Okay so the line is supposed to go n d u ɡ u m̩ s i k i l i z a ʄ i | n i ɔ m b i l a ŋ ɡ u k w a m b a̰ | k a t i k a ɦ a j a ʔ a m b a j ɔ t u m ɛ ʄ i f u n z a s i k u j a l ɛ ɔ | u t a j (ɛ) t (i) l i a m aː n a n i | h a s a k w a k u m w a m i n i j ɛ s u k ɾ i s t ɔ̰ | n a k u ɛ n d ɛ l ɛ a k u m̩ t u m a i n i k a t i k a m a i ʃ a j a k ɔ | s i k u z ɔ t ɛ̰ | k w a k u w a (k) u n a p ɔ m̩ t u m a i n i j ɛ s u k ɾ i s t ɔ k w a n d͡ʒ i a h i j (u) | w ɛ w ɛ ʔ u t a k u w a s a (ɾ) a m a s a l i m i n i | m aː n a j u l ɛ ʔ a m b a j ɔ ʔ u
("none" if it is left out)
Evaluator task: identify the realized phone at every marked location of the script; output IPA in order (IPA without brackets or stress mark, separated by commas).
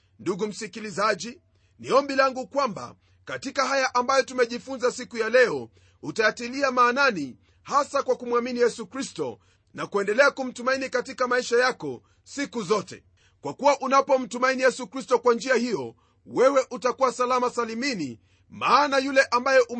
a, i, ʔ, ɔ, l